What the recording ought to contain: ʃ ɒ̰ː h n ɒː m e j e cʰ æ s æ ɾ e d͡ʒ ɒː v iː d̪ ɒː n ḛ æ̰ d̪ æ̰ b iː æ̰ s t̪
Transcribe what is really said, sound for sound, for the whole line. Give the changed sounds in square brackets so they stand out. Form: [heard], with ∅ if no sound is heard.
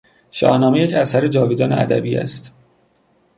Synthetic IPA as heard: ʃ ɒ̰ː h n ɒː m e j e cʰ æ s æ ɾ e d͡ʒ ɒː v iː d̪ ɒː n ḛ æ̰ d̪ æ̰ b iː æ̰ s t̪